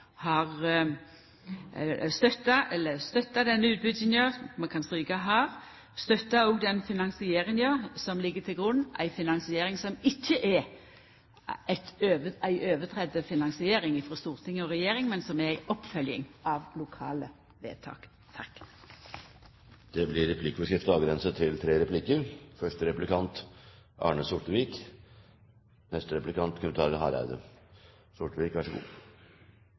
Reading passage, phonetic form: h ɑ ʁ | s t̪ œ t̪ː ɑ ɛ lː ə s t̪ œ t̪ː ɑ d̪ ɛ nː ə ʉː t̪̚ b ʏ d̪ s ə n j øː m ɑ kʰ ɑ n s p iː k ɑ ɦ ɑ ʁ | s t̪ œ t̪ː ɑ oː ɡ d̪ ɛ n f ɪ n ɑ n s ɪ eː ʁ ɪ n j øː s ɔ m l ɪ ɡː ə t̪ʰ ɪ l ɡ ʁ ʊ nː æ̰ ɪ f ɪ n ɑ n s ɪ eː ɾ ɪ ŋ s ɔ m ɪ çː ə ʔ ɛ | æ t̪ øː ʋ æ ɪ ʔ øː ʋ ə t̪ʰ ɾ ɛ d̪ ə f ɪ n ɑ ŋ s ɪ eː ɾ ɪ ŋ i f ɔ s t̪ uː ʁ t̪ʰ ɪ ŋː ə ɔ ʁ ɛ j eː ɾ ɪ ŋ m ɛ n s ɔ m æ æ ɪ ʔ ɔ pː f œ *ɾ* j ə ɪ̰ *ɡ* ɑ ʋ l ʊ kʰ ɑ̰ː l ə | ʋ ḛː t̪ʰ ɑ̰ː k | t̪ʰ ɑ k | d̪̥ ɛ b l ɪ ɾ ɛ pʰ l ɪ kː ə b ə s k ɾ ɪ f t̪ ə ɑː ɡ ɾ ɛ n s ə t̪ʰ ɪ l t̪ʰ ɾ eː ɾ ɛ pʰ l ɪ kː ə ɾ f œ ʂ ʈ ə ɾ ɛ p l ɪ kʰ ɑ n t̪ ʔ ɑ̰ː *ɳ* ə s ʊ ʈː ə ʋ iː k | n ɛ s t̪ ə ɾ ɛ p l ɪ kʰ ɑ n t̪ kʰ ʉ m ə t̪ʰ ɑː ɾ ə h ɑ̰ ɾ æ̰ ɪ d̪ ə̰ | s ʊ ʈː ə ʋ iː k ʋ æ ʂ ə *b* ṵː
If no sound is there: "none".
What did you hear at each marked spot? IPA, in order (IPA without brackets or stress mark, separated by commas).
l, ŋ, ɳ, ɡ